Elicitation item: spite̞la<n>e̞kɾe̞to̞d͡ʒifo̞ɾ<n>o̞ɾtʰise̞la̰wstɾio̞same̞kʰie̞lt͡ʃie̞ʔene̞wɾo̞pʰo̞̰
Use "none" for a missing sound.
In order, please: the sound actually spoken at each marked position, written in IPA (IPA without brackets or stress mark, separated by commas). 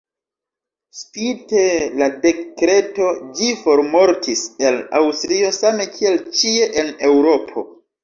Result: d, m